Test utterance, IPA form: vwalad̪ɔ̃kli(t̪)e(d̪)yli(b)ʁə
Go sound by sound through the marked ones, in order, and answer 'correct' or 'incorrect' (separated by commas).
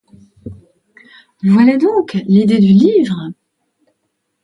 incorrect, correct, incorrect